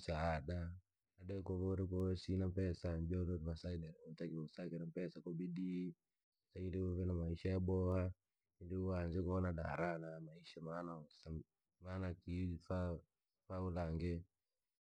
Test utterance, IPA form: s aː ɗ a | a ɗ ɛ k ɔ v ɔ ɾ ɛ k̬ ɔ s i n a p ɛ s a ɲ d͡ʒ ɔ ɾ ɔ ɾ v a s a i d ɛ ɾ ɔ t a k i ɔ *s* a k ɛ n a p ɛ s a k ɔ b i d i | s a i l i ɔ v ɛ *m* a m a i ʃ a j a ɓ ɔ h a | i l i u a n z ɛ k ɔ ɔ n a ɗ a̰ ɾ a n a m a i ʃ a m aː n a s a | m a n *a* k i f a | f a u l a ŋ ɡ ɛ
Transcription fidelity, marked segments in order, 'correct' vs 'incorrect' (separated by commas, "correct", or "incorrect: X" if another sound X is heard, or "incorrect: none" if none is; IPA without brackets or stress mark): correct, incorrect: n, correct